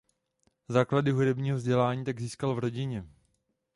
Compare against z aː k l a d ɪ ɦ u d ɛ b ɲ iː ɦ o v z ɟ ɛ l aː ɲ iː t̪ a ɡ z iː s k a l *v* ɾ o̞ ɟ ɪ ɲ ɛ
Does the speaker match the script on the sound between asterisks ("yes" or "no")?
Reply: yes